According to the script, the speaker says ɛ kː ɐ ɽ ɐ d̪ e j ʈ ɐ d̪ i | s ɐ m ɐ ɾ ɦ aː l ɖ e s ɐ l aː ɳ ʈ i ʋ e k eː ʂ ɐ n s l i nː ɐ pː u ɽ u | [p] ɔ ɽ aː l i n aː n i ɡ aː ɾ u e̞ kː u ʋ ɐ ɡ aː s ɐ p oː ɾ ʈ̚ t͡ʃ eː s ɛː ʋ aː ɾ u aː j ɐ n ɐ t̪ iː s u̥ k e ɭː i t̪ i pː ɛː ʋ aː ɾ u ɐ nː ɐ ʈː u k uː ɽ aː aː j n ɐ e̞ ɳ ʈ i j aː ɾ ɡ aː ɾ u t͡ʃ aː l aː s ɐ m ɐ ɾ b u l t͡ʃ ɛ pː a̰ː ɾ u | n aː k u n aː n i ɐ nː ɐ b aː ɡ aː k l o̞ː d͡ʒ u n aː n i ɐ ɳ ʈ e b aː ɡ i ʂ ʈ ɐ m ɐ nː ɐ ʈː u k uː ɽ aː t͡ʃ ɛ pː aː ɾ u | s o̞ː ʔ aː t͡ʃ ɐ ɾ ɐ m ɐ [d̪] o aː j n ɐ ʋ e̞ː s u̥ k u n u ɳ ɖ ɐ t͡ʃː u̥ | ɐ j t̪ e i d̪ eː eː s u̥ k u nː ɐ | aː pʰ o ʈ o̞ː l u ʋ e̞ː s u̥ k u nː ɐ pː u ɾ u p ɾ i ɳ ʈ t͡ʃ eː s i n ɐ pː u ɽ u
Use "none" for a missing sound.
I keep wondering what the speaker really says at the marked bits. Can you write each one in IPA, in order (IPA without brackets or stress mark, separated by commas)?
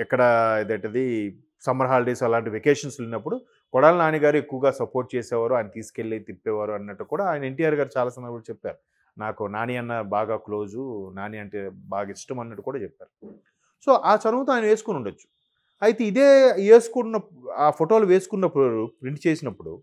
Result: k, t̪